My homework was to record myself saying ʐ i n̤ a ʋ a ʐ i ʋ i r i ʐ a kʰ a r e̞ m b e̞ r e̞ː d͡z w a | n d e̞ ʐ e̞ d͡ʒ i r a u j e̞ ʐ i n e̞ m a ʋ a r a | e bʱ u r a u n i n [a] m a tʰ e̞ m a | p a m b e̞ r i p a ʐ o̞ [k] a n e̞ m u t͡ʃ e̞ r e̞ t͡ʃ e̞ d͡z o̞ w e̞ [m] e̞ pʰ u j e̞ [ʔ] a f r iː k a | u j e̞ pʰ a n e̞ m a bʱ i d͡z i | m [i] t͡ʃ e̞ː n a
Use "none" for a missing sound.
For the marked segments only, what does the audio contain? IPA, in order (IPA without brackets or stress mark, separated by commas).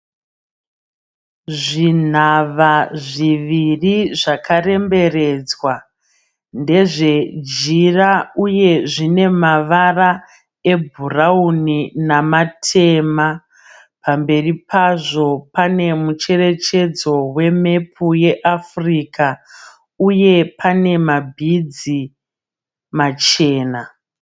a, p, m, ʔ, a